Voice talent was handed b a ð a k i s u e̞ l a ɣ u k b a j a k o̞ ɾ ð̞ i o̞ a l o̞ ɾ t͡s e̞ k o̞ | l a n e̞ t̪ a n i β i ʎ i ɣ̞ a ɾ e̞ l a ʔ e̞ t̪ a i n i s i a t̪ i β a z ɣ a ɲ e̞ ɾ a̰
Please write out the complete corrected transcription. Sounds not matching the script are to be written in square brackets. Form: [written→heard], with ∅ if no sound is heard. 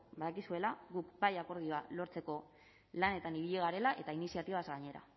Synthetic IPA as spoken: b a ð a k i s u e̞ l a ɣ u k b a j a k o̞ ɾ ð̞ i o̞ a l o̞ ɾ t͡s e̞ k o̞ | l a n e̞ t̪ a n i β i ʎ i ɣ̞ a ɾ e̞ l a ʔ e̞ t̪ a i n i s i a t̪ i β a z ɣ a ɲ e̞ ɾ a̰